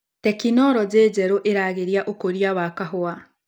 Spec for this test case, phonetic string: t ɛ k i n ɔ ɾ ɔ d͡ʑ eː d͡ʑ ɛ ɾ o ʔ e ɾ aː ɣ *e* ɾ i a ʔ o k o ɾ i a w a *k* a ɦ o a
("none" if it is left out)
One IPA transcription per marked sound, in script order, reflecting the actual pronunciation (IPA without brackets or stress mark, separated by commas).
e, k